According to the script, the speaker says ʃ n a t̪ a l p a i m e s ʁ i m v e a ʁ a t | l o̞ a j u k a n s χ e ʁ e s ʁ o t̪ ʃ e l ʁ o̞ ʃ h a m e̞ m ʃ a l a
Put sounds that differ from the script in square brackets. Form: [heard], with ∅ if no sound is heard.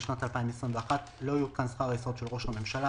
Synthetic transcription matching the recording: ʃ n a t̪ a l p a i m e s ʁ i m v e a [χ] a t | l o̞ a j u k a n s χ [a] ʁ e s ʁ o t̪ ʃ e l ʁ o̞ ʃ h a m e̞ m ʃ a l a